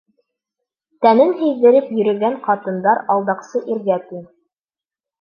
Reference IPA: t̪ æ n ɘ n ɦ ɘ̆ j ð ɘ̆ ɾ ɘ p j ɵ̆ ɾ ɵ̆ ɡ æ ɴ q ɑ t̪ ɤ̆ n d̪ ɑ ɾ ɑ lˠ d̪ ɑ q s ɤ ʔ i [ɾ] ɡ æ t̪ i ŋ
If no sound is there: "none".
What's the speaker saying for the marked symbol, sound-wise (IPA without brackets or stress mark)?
ɾ